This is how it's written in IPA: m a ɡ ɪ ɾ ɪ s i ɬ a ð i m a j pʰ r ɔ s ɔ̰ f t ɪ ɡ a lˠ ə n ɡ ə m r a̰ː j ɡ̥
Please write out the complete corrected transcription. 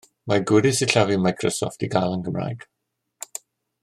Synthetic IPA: m a ɡ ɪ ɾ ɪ s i ɬ a v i m a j kʰ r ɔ s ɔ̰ f t i ɡ a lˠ ə n ɡ ə m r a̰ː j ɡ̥